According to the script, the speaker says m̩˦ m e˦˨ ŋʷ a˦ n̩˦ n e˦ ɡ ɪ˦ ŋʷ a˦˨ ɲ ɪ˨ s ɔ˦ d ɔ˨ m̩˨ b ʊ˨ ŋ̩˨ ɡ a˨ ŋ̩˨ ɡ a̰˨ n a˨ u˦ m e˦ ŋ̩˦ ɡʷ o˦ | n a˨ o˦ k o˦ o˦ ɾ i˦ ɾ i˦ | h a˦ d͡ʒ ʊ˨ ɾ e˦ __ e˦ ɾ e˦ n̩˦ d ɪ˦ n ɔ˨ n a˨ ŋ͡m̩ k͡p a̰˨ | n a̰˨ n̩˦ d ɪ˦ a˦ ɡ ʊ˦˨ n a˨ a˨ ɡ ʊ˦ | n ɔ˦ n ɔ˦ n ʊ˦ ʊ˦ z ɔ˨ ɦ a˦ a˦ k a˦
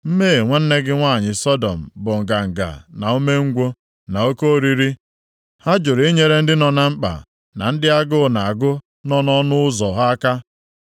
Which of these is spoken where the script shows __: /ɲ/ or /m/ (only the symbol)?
ɲ